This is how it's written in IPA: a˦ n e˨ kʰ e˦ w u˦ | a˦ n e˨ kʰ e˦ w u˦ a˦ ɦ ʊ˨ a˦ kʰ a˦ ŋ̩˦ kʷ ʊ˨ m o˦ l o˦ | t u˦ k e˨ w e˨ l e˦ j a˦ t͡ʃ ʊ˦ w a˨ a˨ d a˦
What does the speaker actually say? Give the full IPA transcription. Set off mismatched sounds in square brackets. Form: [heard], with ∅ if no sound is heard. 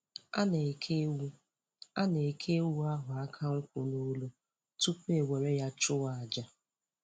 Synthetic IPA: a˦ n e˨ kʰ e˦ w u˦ | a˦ n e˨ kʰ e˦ w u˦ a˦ ɦ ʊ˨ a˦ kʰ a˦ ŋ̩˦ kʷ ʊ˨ [n] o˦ l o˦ | t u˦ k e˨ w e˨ [ɾ] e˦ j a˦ t͡ʃ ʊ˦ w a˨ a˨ [d͡ʒ] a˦